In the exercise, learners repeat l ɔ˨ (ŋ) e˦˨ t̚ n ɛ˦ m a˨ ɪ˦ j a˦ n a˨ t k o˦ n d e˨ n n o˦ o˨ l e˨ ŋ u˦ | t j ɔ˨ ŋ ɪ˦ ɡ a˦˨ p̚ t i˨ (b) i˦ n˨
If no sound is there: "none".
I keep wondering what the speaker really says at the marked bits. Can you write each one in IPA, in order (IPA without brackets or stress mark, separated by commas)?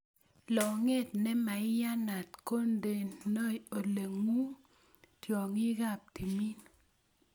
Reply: ŋ, m